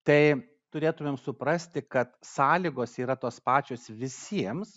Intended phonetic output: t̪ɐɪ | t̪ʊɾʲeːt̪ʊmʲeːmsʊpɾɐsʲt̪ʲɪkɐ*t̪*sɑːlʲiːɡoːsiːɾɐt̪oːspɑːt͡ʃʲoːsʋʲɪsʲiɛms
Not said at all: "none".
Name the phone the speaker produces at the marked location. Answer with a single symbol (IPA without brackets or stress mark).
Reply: t̪